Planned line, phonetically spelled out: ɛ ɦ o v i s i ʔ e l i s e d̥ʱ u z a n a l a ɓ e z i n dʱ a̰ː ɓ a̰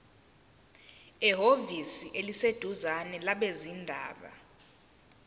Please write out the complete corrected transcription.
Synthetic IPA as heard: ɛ ɦ o v i s i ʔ e l i s e d̥ʱ u z a n ɛ l a ɓ e z i n dʱ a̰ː ɓ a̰